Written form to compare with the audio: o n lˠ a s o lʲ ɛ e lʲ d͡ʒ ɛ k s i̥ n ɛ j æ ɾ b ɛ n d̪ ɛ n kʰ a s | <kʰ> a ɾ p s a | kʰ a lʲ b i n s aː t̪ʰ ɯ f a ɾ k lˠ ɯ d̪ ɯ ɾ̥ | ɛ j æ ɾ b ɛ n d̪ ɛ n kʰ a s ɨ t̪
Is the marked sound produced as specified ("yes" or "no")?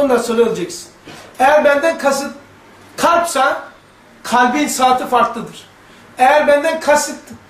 yes